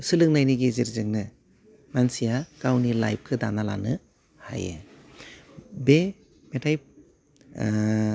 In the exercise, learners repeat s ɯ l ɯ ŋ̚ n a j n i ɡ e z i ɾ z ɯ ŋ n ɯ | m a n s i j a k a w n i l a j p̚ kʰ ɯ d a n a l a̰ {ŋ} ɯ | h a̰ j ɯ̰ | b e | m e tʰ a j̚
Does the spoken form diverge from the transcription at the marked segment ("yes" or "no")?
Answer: yes